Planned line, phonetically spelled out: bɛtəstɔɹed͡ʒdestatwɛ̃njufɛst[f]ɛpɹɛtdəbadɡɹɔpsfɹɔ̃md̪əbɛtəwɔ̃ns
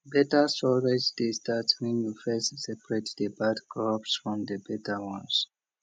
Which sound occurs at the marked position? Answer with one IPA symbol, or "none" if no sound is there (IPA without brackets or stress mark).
s